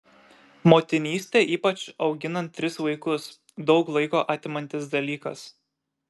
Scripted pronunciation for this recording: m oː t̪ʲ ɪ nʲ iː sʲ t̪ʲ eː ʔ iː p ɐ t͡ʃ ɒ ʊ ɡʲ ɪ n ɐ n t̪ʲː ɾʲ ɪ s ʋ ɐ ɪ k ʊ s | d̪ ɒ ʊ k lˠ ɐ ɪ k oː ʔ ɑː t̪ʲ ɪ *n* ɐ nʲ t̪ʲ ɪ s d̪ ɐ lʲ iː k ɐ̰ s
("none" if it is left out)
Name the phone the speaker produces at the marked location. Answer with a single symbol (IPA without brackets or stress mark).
m